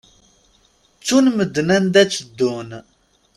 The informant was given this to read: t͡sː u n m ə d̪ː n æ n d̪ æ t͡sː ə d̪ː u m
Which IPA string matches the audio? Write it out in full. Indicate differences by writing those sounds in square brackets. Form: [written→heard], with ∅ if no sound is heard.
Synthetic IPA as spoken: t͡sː u n m ə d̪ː n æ n d̪ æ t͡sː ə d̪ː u [m→n]